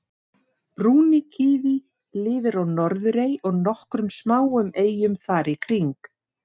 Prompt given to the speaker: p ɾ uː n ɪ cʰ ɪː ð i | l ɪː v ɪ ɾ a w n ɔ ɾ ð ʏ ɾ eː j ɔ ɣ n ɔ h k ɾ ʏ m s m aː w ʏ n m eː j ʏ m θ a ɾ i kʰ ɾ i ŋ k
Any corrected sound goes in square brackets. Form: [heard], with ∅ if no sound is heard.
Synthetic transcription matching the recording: p ɾ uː n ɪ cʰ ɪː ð i | l ɪː v ɪ ɾ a w n ɔ ɾ ð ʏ ɾ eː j ɔ ɣ n ɔ h k ɾ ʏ m s m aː w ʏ [∅] m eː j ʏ m θ a ɾ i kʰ ɾ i ŋ k